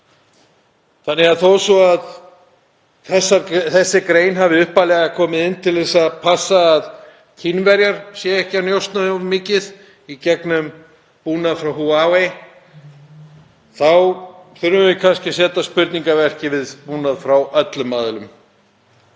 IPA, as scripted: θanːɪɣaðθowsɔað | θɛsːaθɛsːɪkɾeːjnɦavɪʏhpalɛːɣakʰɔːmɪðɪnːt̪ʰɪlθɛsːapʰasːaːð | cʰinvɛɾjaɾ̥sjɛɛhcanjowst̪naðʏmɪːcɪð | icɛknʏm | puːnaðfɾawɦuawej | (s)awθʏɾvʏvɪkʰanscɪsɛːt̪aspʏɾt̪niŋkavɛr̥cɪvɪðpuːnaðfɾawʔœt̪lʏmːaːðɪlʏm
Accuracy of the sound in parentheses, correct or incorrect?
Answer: incorrect